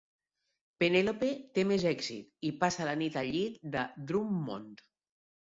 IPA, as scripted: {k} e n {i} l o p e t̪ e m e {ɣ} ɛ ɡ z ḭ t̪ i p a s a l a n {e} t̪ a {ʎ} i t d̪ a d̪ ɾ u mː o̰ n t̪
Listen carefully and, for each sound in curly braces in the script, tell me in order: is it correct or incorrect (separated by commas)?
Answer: incorrect, incorrect, incorrect, incorrect, correct